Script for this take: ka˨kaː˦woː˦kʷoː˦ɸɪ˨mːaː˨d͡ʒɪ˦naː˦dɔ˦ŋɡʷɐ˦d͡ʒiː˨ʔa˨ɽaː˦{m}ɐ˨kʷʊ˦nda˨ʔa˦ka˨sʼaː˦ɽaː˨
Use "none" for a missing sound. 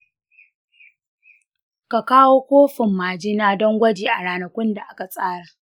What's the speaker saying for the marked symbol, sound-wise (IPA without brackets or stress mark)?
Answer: n